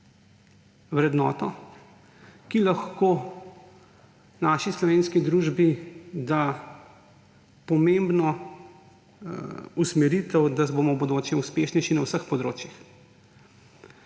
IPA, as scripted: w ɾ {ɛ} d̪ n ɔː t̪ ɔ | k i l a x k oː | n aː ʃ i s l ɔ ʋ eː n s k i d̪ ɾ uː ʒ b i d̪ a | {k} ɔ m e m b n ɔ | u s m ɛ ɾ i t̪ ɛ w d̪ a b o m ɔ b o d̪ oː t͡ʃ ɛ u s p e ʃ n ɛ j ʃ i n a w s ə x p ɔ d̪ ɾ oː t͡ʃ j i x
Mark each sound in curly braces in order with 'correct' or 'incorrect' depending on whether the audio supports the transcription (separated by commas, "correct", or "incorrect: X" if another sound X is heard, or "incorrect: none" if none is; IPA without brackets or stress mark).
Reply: correct, incorrect: p